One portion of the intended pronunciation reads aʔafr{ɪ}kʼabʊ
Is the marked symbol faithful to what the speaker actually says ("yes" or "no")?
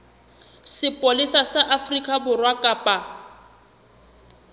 no